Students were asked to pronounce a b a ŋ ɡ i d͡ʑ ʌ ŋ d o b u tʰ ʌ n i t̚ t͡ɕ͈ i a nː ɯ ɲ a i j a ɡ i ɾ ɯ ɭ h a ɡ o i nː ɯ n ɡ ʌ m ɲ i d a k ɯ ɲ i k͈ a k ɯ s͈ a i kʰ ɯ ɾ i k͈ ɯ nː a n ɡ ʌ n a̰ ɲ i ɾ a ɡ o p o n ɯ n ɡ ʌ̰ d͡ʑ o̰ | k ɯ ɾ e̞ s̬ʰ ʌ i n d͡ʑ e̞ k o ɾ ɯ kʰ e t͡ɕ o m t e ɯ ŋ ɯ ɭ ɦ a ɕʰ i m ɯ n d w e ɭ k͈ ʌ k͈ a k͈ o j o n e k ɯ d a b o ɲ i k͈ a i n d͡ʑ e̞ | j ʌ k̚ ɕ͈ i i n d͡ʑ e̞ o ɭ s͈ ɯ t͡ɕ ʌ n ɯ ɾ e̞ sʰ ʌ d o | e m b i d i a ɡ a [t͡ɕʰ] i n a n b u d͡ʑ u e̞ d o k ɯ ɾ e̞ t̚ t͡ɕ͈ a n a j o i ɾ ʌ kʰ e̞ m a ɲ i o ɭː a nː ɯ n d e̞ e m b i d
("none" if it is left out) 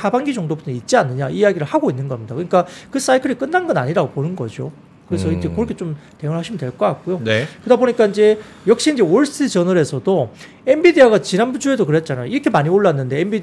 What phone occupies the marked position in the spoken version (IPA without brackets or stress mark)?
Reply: t͡ɕ